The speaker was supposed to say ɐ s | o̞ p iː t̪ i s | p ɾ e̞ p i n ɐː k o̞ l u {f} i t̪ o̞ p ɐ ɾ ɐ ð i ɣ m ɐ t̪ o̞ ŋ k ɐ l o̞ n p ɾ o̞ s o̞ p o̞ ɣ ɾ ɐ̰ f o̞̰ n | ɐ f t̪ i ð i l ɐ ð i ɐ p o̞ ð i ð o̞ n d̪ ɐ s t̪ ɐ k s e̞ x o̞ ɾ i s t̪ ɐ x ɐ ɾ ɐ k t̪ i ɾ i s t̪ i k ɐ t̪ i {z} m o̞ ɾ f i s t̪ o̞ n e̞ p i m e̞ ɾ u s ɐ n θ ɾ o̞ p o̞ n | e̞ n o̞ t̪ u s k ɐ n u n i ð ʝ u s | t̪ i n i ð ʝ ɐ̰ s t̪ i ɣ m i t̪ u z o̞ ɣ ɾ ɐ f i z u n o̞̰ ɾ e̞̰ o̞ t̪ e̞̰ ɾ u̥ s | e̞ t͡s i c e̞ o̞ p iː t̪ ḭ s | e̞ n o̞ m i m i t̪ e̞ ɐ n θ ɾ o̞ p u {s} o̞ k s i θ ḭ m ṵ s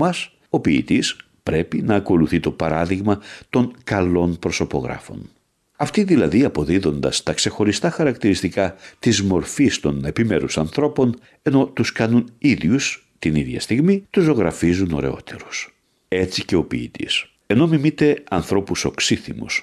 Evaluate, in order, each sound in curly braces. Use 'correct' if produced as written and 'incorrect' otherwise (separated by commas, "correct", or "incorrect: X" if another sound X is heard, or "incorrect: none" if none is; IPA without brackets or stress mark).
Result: incorrect: θ, correct, correct